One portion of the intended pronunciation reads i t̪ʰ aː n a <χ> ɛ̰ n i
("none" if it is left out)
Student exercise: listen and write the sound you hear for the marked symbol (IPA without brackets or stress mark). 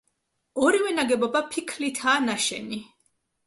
ʃ